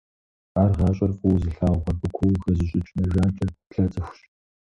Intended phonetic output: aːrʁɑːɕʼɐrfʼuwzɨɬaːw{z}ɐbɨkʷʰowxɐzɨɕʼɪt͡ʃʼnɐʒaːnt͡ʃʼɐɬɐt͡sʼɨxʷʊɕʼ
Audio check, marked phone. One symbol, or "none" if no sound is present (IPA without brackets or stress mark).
ʁ